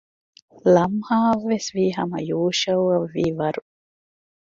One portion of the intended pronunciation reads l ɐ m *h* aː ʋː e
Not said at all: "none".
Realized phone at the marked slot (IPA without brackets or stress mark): h